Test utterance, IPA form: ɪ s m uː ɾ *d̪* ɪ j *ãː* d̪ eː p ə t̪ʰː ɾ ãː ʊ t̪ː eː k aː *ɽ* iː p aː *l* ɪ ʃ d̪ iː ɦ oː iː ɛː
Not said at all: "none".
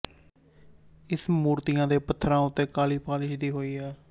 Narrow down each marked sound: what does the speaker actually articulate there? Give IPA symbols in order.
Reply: t̪, ãː, l, l

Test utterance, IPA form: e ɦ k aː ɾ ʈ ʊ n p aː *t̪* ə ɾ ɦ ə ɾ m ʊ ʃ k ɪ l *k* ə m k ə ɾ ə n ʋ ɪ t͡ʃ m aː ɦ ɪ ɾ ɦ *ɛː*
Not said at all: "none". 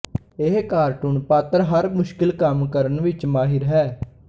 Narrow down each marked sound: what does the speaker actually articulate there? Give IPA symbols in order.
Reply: t̪, k, ɛː

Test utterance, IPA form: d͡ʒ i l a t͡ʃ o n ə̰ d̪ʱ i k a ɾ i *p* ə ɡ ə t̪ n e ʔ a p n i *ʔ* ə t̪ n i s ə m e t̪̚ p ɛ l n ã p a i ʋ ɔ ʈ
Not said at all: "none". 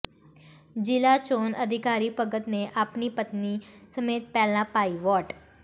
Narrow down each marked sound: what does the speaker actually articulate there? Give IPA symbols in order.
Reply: p, p

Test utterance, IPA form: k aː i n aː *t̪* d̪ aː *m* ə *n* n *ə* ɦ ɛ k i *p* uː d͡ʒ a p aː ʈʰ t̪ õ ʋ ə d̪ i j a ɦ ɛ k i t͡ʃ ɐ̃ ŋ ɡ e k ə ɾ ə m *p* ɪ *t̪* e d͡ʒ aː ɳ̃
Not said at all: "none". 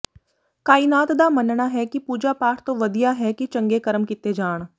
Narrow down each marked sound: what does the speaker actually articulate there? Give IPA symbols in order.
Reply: t̪, m, n, a, p, k, t̪

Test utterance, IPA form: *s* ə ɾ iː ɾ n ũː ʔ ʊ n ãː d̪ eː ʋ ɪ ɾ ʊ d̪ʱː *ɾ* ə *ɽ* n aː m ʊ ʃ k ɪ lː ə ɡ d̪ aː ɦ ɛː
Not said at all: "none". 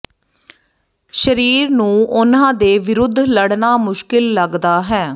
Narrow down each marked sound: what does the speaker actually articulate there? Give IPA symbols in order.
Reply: ʃ, l, ɽ

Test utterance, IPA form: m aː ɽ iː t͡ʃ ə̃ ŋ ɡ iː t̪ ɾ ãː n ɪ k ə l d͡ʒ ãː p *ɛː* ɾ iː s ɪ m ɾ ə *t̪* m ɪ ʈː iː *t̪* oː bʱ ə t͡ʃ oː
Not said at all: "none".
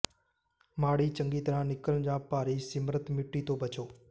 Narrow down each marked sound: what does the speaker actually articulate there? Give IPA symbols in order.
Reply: aː, t̪, t̪

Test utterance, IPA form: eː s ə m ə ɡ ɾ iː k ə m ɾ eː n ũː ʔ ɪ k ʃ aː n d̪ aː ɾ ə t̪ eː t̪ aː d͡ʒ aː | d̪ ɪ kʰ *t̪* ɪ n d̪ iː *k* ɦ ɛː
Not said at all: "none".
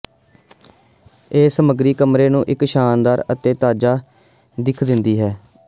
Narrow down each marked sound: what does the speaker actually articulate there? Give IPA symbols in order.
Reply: d̪, none

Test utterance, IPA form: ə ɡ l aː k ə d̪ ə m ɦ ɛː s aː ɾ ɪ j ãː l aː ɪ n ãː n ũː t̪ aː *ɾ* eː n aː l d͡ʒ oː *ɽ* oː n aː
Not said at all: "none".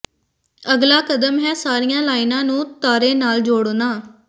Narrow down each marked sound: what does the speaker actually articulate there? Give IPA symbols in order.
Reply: ɾ, ɽ

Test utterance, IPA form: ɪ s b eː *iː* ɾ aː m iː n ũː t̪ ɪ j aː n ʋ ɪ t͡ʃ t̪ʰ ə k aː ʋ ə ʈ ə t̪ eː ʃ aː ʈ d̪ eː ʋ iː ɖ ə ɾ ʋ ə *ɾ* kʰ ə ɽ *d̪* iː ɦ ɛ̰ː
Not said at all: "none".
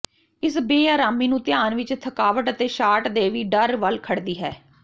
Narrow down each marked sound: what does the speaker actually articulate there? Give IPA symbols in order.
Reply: aː, l, d̪

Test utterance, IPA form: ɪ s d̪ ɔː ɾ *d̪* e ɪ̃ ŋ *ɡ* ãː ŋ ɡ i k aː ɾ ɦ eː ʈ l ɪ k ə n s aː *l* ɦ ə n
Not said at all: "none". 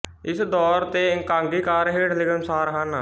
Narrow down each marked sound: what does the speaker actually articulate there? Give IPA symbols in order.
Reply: t̪, k, ɾ

